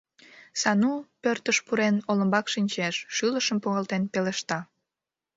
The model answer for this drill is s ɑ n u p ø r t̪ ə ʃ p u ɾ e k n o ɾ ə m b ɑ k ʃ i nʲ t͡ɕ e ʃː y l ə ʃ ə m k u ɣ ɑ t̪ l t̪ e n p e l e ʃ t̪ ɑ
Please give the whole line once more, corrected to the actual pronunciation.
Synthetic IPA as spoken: s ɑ n u p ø r t̪ ə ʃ p u ɾ e n o l ə m b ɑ k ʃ i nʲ t͡ɕ e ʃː y l ə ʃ ə m p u ɣ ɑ l t̪ e n p e l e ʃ t̪ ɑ